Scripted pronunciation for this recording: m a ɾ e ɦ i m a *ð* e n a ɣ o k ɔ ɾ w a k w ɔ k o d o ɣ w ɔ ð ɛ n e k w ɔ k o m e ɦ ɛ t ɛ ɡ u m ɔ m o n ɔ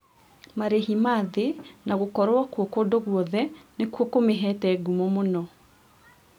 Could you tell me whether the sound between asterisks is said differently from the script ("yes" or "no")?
no